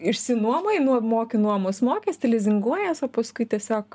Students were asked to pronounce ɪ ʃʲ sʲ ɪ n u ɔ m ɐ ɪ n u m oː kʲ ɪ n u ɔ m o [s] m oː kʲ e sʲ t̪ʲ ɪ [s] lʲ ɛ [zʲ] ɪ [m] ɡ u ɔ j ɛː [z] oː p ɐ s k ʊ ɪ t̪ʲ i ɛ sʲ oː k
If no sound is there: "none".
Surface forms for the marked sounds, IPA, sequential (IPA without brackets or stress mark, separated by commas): s, none, zʲ, ŋ, s